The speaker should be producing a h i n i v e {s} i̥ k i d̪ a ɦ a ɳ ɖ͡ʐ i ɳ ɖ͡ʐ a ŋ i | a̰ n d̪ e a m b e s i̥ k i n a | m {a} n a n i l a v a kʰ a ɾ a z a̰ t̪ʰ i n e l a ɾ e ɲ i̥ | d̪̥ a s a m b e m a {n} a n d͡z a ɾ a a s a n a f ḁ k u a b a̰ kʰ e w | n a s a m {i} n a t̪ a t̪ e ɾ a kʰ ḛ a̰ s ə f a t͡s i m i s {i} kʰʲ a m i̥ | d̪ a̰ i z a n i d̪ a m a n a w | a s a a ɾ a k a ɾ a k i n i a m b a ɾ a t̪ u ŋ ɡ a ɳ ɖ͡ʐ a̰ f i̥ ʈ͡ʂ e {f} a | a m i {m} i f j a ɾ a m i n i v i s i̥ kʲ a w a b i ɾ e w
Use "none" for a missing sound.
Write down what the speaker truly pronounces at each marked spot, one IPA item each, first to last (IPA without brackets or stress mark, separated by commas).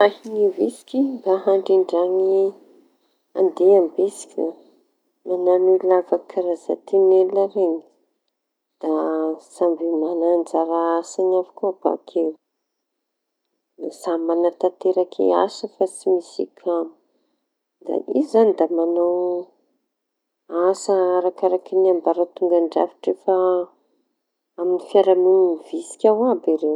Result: s, a, n, a, i, f, n